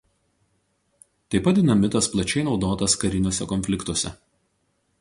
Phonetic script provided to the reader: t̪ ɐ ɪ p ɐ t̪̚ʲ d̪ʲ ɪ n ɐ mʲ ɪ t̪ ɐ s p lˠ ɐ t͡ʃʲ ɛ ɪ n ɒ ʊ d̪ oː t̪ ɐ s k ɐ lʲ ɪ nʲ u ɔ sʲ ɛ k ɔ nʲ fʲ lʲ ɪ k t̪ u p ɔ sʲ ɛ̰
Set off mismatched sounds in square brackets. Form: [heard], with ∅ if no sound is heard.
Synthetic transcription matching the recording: t̪ ɐ ɪ p ɐ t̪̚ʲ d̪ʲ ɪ n ɐ mʲ ɪ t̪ ɐ s p lˠ ɐ t͡ʃʲ ɛ ɪ n ɒ ʊ d̪ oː t̪ ɐ s k ɐ [ɾʲ] ɪ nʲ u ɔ sʲ ɛ k ɔ nʲ fʲ lʲ ɪ k t̪ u [∅] ɔ sʲ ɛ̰